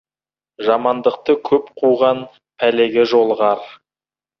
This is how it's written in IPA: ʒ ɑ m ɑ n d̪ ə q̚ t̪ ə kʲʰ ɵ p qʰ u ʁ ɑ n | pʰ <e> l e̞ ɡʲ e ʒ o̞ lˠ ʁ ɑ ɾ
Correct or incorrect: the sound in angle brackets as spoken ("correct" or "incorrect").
incorrect